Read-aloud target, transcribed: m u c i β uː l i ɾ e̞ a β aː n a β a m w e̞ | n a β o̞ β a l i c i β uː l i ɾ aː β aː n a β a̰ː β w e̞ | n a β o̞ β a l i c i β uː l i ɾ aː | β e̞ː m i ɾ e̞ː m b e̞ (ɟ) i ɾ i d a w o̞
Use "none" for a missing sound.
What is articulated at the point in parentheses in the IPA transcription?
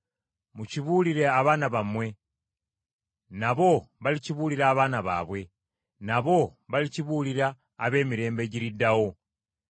ɟ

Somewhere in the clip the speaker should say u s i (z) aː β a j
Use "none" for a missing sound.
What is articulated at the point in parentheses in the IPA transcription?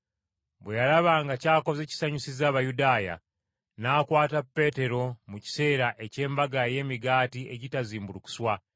z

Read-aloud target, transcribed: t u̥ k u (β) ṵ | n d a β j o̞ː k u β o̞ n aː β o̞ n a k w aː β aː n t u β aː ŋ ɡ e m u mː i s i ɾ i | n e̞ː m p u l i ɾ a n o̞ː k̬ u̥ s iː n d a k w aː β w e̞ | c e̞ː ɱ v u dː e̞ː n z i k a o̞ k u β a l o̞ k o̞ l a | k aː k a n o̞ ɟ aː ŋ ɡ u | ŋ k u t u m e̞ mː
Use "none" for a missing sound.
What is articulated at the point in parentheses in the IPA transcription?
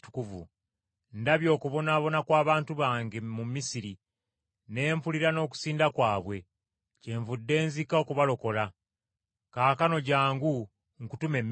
v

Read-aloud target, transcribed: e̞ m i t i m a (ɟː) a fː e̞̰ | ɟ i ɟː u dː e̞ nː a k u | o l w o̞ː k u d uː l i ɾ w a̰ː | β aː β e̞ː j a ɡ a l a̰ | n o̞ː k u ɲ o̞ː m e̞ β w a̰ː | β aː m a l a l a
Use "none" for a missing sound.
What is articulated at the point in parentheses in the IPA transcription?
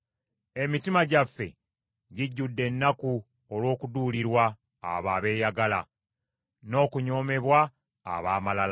ɟ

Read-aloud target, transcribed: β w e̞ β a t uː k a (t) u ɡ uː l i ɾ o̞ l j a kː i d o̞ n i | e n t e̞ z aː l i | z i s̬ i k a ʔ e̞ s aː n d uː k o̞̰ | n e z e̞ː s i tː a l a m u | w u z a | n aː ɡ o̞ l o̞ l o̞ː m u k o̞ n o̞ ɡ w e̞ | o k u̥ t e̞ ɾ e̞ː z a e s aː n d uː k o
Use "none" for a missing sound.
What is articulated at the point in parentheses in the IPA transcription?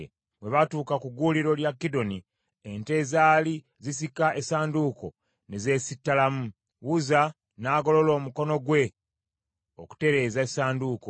k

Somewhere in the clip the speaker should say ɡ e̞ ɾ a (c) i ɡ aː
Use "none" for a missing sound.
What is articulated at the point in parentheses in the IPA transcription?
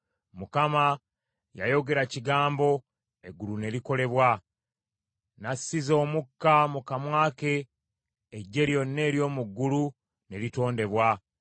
c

